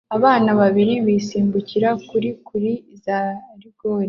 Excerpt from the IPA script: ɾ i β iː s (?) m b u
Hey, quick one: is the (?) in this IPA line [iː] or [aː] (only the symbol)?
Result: iː